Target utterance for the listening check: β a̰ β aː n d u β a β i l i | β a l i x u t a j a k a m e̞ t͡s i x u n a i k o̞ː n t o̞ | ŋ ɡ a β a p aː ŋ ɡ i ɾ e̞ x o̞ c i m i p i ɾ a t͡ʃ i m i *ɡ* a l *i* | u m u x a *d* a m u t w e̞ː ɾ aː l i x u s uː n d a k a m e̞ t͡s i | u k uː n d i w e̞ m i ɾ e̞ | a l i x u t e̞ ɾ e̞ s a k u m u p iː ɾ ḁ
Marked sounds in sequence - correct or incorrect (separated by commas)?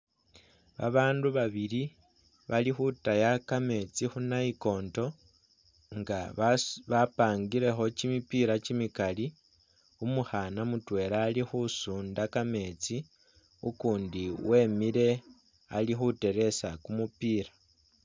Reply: incorrect, correct, incorrect